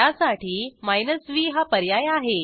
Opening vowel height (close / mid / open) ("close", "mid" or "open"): open